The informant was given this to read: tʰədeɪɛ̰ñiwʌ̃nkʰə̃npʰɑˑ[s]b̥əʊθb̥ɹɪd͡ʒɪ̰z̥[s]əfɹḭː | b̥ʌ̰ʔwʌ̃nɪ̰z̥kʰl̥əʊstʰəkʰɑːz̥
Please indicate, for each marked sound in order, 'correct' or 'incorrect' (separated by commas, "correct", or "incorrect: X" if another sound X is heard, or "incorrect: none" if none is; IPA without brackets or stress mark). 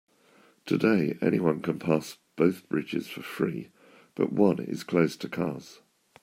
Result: correct, incorrect: f